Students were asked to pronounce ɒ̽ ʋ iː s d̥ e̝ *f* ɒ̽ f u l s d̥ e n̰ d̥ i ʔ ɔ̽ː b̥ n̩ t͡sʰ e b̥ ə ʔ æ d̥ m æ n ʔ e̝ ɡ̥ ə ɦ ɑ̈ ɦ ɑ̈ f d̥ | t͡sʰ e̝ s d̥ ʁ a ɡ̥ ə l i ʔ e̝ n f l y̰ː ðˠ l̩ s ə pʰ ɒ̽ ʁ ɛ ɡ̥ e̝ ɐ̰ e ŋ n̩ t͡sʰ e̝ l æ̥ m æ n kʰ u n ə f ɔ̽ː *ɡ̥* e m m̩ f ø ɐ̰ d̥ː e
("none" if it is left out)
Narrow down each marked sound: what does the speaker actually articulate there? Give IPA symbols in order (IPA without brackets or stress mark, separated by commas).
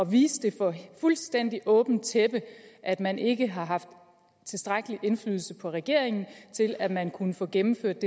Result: f, ɡ̥